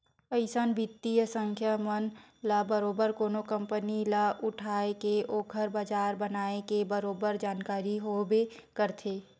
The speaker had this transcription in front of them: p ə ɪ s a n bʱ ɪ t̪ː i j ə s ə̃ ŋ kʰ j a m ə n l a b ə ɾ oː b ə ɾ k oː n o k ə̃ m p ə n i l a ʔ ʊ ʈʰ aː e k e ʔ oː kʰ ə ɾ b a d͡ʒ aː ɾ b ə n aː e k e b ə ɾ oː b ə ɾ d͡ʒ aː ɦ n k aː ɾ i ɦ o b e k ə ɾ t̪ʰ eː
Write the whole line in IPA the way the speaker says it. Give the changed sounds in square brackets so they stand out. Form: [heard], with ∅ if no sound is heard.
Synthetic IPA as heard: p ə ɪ s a n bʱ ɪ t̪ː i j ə s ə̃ ŋ kʰ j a m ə n l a b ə ɾ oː b ə ɾ k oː n o k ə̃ m p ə n i l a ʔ ʊ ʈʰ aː e k e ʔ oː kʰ ə ɾ b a d͡ʒ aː ɾ b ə n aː e k e b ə ɾ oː b ə ɾ d͡ʒ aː [∅] n k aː ɾ i ɦ o b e k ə ɾ t̪ʰ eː